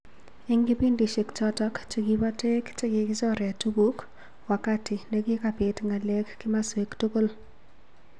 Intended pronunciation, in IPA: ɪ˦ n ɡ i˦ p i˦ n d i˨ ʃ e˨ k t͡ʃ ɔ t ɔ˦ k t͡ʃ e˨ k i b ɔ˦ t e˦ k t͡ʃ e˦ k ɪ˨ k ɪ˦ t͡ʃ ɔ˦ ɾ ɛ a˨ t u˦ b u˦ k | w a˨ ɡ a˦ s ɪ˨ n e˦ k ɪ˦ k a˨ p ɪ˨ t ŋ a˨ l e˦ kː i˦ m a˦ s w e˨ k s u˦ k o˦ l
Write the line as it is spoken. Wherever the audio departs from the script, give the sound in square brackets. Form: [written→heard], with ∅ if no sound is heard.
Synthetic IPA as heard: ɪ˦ [n→ŋ] ɡ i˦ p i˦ n d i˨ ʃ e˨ k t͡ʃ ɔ t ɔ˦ k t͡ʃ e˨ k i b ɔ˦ t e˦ k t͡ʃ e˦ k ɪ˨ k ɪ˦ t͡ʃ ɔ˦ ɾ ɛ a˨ t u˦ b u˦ k | w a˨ [ɡ→k] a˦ [s→t] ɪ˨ n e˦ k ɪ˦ k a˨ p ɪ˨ t ŋ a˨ l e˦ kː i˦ m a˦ s w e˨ k [s→t] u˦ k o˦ l